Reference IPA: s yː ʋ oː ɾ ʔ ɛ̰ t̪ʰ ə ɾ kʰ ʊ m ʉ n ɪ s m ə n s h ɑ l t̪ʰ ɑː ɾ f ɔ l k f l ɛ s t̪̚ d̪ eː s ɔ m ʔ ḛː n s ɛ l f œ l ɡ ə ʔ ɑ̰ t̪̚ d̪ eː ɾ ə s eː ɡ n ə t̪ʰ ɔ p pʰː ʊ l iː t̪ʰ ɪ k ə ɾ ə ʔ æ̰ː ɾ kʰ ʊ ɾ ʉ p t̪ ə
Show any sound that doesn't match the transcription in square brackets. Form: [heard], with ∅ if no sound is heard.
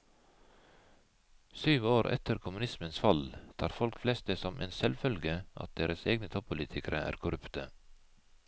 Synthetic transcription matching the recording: s yː ʋ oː ɾ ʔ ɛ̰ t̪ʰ ə ɾ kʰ ʊ m ʉ n ɪ s m ə n s [f] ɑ l t̪ʰ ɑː ɾ f ɔ l k f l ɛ s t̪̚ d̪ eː s ɔ m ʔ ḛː n s ɛ l f œ l ɡ ə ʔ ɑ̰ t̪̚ d̪ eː ɾ ə s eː ɡ n ə t̪ʰ ɔ p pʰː ʊ l iː t̪ʰ ɪ k ə ɾ ə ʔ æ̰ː ɾ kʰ ʊ ɾ ʉ p t̪ ə